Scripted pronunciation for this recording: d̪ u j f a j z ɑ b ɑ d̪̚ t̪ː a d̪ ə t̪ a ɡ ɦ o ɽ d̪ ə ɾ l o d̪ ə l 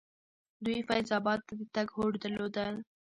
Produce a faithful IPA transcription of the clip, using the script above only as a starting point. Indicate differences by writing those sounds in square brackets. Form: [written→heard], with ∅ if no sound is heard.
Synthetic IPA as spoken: d̪ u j f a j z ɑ b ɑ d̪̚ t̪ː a d̪ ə t̪ a ɡ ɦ o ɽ d̪ ə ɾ l o d̪ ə l